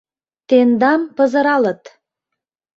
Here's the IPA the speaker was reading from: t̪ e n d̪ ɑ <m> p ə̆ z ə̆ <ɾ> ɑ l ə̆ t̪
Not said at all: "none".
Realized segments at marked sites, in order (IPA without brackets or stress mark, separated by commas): m, ɾ